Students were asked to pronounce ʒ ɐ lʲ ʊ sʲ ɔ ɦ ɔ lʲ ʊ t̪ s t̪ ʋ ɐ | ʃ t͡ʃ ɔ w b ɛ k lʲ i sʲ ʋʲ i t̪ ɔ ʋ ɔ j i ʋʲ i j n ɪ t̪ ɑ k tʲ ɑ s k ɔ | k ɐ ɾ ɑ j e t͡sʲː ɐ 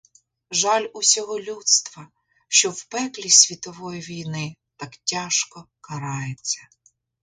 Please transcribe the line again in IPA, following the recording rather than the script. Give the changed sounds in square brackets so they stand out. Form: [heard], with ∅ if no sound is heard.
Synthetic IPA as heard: ʒ [ɑ] lʲ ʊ sʲ ɔ ɦ ɔ lʲ [u] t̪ s t̪ ʋ ɐ | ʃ t͡ʃ ɔ w [p] ɛ k lʲ i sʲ ʋʲ i t̪ ɔ ʋ ɔ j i ʋʲ i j n ɪ t̪ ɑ k tʲ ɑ [ʃ] k ɔ | k ɐ ɾ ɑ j e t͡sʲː ɐ